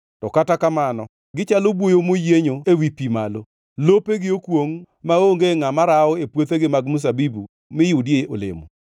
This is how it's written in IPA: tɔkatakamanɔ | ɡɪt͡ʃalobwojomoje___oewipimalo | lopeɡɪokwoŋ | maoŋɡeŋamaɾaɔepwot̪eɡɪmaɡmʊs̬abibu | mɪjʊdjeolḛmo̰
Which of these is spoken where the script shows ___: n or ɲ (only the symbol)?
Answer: ɲ